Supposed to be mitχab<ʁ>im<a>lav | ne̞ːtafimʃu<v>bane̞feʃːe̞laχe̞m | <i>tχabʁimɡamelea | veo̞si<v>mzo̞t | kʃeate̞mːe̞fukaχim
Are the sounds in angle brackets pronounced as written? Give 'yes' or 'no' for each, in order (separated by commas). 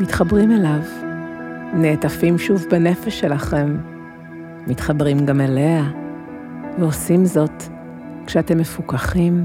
yes, no, yes, yes, no